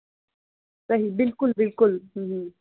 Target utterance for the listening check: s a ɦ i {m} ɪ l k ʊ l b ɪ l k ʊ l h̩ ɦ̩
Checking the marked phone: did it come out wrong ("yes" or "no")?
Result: yes